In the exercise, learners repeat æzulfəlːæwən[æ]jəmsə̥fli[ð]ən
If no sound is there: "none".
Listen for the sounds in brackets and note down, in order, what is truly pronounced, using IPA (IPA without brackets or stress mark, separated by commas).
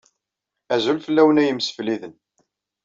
æ, ð